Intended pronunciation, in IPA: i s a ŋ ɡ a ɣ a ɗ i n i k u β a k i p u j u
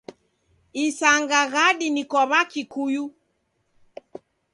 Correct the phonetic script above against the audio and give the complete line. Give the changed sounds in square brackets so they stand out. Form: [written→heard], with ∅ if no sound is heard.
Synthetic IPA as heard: i s a ŋ ɡ a ɣ a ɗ i n i k [u→ɔ] β a k i [p→k] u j u